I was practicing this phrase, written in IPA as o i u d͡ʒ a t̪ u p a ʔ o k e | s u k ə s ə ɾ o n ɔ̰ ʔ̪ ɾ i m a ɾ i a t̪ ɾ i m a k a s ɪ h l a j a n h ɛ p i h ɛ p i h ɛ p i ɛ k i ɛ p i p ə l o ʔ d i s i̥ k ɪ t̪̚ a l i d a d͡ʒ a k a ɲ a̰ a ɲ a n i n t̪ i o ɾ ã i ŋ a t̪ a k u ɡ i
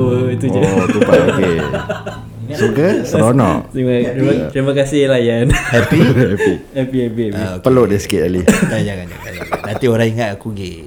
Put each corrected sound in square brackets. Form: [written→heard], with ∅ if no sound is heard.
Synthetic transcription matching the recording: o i u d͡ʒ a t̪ u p a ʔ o k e | s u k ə s ə ɾ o n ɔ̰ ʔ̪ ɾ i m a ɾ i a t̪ ɾ i m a k a s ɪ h l a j a n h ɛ p i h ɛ p i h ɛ p i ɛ [k→p] i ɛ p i p ə l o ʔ d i s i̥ k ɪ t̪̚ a l i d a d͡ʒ a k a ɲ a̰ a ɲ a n [i→a] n t̪ i o ɾ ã i ŋ a t̪ a k u ɡ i